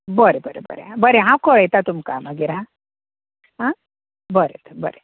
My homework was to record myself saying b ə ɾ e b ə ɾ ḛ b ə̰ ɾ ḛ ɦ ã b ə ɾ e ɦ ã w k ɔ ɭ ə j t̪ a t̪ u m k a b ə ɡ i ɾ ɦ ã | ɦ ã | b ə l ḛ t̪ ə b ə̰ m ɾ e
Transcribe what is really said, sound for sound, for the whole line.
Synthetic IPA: b ə ɾ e b ə ɾ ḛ b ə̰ ɾ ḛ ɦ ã b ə ɾ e ɦ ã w k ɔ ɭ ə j t̪ a t̪ u m k a m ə ɡ i ɾ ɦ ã | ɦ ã | b ə ɾ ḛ t̪ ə b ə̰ ɾ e